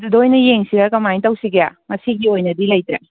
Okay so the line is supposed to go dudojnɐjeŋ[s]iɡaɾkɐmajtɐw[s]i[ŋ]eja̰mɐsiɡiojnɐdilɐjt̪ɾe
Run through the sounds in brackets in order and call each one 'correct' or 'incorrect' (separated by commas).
correct, correct, incorrect